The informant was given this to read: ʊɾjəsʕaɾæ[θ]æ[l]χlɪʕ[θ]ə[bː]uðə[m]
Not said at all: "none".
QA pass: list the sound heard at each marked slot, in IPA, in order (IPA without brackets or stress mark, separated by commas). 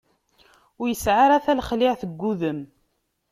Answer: θ, l, θ, ɡː, m